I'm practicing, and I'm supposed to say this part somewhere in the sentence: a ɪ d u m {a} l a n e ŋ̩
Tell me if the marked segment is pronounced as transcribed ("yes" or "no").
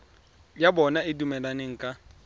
no